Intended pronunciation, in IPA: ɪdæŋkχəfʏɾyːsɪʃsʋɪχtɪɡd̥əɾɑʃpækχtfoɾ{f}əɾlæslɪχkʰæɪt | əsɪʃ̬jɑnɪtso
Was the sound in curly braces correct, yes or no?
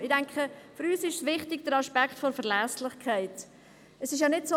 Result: yes